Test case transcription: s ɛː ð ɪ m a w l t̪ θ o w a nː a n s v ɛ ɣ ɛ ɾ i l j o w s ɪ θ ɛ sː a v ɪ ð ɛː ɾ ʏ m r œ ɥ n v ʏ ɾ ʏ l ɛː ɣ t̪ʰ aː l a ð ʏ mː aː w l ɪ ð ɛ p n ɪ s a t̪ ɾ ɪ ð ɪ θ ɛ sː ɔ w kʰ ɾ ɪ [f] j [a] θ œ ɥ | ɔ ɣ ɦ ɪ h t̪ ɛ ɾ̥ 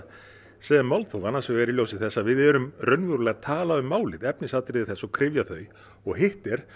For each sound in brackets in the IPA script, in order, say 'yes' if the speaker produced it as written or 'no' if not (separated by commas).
no, yes